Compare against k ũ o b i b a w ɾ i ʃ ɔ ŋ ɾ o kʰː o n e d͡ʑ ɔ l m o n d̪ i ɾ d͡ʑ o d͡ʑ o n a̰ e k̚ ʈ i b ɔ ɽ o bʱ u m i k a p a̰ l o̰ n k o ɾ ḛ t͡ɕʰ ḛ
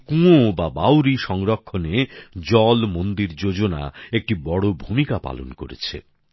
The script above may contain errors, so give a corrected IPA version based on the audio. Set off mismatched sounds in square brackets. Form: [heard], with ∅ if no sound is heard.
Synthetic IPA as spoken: k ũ o b [a] b a w ɾ i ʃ ɔ ŋ ɾ o kʰː o n e d͡ʑ ɔ l m o n d̪ i ɾ d͡ʑ o d͡ʑ o n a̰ e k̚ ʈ i b ɔ ɽ o bʱ u m i k a p a̰ l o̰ n k o ɾ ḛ t͡ɕʰ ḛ